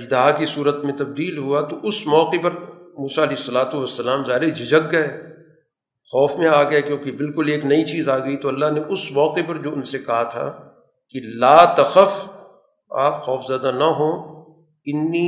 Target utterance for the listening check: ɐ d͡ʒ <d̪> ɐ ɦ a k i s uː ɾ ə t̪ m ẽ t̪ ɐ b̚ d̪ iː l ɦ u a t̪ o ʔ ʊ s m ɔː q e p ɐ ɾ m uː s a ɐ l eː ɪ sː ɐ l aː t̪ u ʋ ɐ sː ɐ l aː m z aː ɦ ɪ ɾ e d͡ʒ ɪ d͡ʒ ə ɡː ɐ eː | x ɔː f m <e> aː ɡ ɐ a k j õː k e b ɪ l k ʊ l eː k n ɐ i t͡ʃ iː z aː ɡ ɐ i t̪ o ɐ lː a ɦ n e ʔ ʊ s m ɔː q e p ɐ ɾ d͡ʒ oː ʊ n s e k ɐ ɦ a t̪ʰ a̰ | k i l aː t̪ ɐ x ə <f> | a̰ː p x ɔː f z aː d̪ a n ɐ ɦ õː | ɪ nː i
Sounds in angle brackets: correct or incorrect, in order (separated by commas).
correct, incorrect, correct